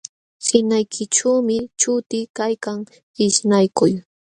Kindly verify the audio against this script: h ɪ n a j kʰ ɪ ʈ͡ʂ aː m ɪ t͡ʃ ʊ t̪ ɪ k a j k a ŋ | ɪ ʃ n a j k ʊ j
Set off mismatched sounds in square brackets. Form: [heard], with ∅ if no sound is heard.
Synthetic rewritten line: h ɪ n a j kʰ ɪ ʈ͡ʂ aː m ɪ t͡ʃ ʊ t̪ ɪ k a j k a ŋ | ɪ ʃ n a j k ʊ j